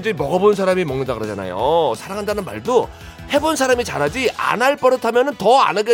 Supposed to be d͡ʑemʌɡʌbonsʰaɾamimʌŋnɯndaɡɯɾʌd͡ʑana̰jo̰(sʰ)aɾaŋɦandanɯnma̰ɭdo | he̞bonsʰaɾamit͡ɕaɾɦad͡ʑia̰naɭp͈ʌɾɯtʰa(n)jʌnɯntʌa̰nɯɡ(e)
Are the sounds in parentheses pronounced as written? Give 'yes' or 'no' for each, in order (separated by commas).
yes, no, yes